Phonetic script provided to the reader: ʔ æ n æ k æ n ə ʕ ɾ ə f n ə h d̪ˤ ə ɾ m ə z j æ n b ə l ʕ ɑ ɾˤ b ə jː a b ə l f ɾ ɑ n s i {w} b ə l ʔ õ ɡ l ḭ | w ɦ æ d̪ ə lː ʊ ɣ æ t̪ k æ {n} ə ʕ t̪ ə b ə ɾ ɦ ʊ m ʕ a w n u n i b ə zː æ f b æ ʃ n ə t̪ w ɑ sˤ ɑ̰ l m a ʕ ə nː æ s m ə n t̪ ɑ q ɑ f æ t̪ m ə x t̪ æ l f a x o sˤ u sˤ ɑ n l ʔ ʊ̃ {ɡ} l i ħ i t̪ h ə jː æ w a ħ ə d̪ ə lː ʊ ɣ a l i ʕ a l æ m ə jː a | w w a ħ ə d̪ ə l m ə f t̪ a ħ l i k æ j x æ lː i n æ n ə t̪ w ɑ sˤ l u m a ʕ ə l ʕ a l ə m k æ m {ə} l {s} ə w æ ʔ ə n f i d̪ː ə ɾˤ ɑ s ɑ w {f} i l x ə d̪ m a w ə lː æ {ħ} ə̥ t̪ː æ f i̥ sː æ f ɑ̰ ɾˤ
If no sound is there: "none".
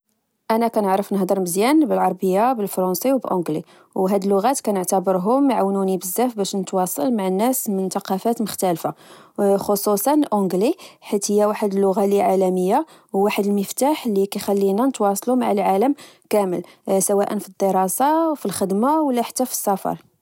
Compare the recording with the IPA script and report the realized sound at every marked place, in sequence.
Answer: w, n, ɡ, ə, s, f, ħ

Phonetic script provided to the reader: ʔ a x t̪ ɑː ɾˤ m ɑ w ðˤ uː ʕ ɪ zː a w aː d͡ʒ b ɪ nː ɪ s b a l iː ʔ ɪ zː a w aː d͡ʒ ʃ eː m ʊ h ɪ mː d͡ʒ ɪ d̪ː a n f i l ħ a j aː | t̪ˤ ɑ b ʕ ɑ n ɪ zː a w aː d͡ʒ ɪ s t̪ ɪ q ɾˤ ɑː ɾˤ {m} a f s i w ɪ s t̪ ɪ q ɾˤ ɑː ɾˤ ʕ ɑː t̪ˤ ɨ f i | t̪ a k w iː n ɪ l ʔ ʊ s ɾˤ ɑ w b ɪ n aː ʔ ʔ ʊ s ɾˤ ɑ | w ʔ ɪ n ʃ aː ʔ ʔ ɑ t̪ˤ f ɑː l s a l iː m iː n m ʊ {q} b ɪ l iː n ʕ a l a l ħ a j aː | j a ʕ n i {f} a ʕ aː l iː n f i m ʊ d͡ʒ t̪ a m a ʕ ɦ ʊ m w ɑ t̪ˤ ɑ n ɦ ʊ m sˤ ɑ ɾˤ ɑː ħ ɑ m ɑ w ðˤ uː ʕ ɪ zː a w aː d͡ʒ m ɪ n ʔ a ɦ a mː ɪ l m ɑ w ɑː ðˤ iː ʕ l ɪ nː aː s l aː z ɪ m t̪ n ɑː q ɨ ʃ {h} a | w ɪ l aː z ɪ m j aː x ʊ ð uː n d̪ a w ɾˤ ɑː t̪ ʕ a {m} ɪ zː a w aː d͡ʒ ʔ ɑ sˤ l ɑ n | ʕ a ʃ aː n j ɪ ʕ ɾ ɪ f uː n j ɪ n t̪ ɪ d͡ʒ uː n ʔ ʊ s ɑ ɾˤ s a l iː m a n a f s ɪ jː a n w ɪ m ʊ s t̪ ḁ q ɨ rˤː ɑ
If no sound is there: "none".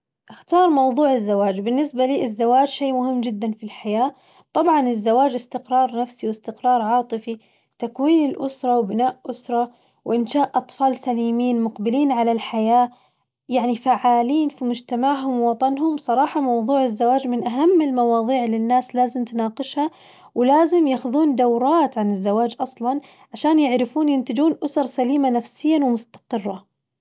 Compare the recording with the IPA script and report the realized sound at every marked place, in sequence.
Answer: n, q, f, h, n

